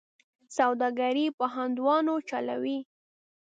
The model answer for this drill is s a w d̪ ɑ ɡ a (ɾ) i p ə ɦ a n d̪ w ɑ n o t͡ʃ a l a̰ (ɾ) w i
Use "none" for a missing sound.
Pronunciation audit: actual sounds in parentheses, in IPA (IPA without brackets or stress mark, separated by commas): ɾ, none